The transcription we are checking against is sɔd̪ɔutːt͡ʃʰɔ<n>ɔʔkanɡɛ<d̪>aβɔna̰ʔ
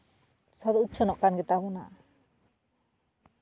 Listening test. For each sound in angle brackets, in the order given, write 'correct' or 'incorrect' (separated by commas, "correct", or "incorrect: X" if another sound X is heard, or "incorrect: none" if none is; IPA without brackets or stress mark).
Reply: correct, incorrect: t̪